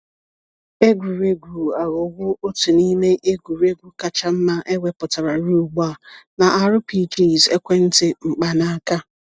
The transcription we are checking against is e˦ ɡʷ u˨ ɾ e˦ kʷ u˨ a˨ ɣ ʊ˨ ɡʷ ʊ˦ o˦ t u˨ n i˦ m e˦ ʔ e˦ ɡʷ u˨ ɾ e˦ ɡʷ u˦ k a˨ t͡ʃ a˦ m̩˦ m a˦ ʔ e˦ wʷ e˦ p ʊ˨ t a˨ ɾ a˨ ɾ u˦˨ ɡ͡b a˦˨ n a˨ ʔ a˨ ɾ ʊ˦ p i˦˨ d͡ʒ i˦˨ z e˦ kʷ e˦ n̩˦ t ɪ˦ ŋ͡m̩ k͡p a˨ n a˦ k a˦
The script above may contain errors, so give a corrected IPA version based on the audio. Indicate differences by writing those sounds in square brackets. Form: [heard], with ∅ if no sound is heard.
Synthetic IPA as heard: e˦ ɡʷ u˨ ɾ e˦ [ɡʷ] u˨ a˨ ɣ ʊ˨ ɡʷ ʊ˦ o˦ t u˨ n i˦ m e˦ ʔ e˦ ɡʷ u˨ ɾ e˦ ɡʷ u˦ k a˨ t͡ʃ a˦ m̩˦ m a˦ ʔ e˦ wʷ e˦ p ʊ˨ t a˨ ɾ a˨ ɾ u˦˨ ɡ͡b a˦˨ n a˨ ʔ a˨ ɾ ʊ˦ p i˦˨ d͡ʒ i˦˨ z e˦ kʷ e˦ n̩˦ t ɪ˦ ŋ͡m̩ k͡p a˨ n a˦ k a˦